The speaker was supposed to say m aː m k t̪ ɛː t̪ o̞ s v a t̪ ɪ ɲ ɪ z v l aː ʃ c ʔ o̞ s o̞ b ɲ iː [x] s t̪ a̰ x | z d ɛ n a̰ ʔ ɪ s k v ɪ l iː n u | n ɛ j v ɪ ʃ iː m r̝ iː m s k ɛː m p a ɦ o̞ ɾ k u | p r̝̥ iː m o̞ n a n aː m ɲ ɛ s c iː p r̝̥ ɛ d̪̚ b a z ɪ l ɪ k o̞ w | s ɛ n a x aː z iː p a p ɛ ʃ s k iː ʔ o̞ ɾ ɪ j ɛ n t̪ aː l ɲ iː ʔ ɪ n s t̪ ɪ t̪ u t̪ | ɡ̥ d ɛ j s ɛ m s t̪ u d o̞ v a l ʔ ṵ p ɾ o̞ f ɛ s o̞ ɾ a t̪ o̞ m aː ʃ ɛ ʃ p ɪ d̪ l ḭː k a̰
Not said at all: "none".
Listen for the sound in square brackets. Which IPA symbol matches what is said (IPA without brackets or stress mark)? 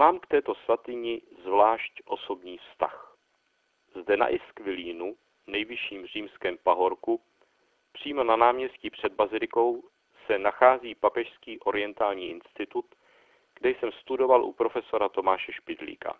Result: f